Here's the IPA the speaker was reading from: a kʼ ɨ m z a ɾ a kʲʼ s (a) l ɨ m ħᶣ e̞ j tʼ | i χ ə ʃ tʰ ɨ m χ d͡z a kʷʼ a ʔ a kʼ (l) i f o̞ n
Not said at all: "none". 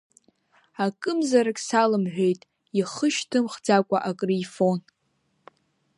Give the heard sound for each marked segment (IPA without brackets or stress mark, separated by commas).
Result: a, r